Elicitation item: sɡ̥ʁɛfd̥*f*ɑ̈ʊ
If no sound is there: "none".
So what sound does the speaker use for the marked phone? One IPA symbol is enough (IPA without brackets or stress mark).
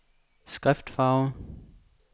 f